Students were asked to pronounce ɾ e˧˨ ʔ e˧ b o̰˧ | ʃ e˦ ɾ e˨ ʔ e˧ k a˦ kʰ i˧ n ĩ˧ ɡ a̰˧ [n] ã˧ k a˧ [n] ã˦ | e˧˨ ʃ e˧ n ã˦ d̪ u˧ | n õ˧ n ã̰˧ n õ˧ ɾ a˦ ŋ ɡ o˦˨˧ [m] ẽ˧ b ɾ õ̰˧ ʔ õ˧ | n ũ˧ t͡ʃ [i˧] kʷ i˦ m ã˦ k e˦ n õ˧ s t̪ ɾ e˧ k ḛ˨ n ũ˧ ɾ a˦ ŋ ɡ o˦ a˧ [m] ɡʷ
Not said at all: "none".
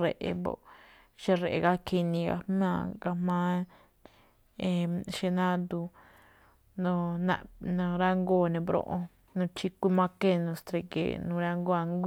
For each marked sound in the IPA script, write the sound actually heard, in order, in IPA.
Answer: m, m, n, i˧, ŋ

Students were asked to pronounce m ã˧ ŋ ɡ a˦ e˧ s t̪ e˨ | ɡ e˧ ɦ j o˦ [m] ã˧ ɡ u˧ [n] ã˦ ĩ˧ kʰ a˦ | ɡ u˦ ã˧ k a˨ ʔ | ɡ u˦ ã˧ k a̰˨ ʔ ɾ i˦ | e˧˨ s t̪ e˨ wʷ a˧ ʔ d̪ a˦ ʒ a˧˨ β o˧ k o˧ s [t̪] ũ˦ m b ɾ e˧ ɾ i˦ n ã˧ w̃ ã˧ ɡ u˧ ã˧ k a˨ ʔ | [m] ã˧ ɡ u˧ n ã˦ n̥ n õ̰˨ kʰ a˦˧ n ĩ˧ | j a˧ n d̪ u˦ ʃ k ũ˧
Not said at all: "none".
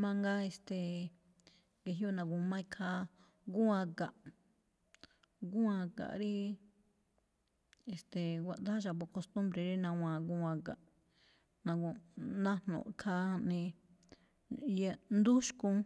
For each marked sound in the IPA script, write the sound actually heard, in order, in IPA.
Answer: n, m, t̪, n

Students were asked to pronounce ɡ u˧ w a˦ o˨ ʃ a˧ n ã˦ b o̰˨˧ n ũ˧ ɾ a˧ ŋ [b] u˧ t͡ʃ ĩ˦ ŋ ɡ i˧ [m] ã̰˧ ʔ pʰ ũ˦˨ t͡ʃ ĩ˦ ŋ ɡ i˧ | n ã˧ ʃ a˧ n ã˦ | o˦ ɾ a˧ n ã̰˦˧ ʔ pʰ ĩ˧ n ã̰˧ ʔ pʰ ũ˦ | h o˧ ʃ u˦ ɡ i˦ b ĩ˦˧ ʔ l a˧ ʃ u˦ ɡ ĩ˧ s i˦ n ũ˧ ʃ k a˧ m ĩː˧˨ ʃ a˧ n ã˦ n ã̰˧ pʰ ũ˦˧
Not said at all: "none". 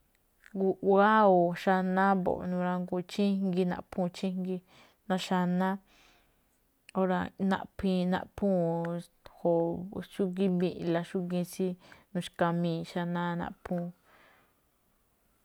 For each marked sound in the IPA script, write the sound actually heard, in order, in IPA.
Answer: ɡ, n

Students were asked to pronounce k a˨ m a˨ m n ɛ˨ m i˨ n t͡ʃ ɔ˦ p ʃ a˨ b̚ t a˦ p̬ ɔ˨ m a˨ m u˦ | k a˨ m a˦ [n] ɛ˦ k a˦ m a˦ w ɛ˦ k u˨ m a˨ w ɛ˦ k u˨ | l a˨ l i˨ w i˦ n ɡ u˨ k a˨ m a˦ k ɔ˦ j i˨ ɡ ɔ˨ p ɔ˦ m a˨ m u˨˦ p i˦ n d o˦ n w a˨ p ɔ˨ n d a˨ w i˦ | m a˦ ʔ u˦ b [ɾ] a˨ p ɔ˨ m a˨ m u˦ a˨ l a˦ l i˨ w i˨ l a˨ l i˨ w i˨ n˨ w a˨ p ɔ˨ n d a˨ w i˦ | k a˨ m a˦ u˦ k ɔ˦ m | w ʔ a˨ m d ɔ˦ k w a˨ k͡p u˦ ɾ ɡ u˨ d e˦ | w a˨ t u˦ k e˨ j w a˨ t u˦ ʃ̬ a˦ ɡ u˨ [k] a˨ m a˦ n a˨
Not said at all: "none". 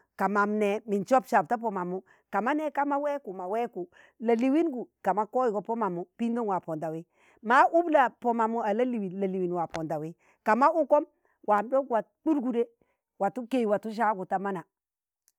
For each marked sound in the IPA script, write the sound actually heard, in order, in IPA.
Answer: n, l, t

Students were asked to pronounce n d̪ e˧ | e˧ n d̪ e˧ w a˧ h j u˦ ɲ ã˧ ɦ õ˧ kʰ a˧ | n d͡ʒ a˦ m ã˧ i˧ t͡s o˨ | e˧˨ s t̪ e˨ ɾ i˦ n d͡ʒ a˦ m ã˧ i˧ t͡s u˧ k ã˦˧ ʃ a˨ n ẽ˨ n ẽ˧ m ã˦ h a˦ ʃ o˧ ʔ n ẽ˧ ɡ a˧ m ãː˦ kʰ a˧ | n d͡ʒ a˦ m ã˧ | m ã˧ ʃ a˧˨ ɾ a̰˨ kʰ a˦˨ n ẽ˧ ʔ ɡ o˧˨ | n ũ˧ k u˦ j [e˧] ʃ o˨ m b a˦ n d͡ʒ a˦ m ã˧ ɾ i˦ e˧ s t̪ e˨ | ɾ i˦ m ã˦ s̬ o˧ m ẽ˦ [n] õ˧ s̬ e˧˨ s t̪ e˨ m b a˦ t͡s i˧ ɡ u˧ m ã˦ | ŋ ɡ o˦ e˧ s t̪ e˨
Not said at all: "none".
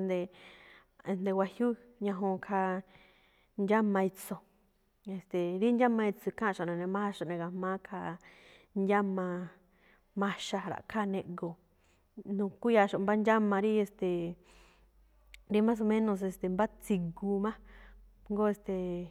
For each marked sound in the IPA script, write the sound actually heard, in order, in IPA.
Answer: a˧, n

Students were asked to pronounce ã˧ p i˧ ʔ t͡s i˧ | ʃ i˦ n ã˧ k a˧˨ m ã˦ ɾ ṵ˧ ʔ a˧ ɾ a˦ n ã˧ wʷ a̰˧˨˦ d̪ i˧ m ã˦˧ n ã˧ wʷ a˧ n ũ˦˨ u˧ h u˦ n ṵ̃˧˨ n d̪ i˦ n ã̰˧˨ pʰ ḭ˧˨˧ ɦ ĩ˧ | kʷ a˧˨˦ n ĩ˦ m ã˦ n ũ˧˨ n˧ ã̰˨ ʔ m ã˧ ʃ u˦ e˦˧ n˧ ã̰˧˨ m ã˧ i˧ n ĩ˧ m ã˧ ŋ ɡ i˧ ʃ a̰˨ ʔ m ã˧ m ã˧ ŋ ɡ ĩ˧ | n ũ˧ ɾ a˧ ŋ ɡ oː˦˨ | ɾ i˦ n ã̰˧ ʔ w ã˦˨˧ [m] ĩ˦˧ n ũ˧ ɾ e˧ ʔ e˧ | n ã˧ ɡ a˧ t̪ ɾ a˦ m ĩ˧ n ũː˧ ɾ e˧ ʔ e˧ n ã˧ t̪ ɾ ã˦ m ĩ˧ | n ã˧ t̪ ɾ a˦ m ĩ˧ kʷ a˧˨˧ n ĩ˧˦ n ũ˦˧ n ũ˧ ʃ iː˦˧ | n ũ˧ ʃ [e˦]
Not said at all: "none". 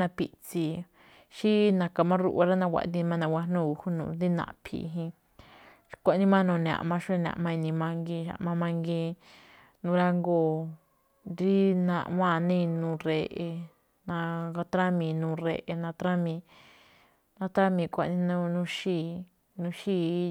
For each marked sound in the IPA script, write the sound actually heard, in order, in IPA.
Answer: n, i˦

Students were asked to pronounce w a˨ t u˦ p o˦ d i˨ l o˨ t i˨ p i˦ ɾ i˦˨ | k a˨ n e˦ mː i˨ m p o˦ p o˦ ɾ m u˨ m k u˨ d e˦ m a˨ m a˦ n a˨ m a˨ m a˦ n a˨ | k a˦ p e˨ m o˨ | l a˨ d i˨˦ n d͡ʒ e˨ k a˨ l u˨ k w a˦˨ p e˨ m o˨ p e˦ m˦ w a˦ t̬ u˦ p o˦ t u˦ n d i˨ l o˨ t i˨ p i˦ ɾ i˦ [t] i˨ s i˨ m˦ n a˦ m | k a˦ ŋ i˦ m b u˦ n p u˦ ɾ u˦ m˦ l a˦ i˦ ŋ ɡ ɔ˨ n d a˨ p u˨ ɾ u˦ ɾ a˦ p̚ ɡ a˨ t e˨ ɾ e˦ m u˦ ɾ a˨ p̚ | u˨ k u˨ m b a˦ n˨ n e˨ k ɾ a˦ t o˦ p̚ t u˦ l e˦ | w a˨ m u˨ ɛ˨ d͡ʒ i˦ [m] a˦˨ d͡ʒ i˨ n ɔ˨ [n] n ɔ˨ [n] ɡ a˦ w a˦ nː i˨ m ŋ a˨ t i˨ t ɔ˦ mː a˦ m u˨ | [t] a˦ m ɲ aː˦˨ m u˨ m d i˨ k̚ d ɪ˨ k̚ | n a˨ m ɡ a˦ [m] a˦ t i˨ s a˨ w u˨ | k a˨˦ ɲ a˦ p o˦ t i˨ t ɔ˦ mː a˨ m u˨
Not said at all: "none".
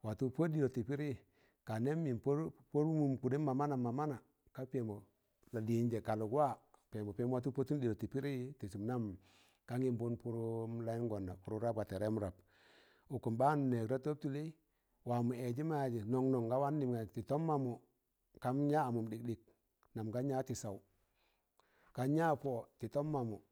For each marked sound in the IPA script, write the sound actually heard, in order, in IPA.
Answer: t, m, ŋ, ŋ, k, ɲ

